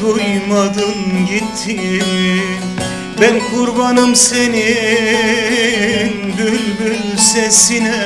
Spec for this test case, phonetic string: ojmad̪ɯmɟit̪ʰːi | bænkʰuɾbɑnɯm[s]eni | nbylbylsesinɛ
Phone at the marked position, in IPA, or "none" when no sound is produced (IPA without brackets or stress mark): s